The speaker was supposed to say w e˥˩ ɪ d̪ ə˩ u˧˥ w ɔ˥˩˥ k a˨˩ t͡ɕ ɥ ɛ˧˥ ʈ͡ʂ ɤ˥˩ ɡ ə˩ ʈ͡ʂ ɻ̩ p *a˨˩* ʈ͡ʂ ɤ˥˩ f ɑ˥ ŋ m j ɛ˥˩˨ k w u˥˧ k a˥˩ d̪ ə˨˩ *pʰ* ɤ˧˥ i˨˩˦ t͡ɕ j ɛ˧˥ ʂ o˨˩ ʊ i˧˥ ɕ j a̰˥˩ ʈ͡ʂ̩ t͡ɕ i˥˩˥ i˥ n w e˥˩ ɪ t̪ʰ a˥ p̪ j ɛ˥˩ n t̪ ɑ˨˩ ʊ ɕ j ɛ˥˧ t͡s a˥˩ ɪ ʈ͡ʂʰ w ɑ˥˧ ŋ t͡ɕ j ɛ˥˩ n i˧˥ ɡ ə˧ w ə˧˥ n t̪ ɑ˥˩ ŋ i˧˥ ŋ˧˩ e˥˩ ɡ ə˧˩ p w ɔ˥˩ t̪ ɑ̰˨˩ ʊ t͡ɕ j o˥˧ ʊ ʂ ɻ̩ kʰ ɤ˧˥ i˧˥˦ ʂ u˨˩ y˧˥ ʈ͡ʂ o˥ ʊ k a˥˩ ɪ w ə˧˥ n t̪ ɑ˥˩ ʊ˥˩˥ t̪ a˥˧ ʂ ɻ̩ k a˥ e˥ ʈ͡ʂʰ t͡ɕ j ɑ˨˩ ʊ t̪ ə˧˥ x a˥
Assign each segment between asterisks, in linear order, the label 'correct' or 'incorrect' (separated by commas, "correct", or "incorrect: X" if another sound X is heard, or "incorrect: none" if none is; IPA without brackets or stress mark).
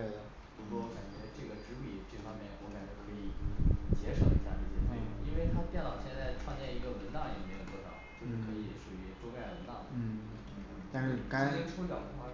incorrect: i˨˩, incorrect: kʰ